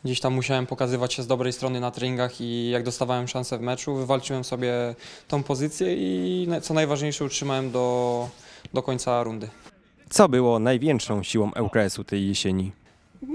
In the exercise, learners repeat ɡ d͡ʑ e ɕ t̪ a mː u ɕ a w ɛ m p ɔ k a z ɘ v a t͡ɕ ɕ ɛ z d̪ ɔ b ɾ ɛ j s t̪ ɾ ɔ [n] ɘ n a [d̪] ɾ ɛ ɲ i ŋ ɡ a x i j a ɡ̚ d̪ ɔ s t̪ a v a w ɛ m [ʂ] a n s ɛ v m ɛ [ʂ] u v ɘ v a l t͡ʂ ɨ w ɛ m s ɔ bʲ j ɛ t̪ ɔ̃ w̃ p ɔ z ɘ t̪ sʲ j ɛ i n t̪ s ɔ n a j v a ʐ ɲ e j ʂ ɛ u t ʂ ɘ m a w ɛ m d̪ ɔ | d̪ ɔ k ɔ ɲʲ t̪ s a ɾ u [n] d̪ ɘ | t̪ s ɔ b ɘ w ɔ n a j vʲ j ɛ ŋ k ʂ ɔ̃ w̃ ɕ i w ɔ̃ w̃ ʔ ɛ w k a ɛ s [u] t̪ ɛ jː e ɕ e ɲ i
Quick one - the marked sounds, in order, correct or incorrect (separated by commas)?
correct, incorrect, correct, incorrect, correct, correct